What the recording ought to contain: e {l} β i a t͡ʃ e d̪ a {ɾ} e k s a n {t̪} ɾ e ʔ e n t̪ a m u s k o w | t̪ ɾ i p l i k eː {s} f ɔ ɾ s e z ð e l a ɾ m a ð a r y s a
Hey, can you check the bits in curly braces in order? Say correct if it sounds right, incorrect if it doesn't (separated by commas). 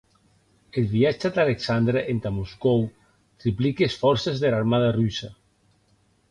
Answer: correct, incorrect, incorrect, correct